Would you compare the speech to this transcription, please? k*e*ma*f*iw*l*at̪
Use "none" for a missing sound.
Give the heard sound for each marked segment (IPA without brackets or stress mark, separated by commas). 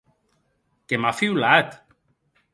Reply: e, f, l